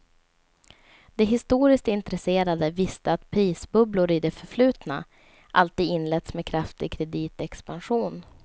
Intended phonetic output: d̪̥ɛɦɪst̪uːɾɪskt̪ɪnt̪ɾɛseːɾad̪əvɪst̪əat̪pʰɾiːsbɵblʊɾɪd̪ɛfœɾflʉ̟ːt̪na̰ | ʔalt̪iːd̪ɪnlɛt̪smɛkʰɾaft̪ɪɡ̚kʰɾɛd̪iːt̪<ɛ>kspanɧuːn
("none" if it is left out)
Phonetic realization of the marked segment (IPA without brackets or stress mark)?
ɛ